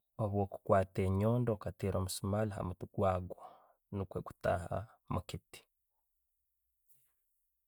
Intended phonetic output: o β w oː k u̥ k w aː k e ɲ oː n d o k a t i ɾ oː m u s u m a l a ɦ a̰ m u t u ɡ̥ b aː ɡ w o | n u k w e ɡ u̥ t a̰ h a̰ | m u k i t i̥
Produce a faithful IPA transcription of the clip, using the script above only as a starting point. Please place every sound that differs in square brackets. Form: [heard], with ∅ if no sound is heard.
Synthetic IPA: o β w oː k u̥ k w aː [t] e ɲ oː n d o k a t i ɾ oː m u s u m a l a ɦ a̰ m u t u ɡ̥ [w] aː ɡ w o | n u k w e ɡ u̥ t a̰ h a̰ | m u k i t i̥